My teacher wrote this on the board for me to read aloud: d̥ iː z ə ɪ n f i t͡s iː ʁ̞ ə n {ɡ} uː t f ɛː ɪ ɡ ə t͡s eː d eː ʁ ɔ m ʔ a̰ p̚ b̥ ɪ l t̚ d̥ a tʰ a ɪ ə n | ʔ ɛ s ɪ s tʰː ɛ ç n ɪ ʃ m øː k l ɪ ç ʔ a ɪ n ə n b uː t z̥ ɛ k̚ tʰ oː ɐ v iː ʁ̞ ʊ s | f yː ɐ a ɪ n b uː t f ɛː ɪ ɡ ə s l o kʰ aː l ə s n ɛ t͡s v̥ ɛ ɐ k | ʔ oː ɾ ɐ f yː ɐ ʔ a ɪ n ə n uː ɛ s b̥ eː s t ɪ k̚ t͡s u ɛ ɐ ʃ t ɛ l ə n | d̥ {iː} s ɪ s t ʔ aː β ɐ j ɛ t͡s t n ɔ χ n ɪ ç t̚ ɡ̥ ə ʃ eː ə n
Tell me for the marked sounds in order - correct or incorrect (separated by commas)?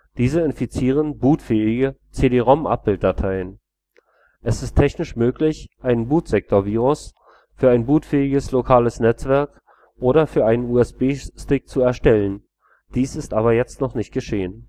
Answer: incorrect, correct